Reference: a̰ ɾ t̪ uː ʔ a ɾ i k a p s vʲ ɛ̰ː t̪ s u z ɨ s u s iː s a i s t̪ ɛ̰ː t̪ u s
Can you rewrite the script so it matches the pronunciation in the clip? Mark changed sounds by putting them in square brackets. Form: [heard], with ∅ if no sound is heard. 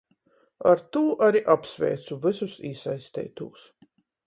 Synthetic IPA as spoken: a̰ ɾ t̪ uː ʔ a ɾ i [ʔ] a p s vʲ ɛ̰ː t̪ s u [v] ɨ s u s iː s a [j] s t̪ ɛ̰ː t̪ [uː] s